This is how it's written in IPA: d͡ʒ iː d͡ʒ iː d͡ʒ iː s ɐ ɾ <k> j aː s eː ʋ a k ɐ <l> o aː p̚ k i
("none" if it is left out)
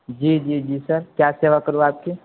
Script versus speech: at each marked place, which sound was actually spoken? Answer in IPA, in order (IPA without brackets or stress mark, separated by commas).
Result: k, ɾ